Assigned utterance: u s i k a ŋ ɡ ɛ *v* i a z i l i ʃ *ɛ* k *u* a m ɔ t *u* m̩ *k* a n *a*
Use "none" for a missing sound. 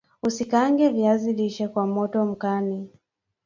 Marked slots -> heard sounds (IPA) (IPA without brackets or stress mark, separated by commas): v, ɛ, w, ɔ, k, i